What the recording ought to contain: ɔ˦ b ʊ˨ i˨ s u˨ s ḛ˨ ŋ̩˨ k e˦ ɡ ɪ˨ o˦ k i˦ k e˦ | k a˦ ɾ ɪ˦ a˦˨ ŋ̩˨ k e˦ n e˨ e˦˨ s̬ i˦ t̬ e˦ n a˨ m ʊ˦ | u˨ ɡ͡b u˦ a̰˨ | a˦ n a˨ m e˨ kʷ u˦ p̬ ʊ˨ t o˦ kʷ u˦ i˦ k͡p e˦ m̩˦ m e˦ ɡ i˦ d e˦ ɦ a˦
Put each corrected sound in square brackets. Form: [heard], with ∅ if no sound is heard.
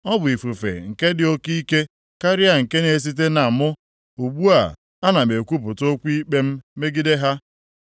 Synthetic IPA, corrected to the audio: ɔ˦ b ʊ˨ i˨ [f] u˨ [f] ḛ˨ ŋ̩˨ k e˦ [d] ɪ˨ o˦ k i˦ k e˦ | k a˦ ɾ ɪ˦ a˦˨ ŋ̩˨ k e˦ n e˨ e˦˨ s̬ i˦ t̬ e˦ n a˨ m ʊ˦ | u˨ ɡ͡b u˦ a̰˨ | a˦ n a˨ m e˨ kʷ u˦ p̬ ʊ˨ t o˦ kʷ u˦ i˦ k͡p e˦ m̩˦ m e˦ ɡ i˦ d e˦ ɦ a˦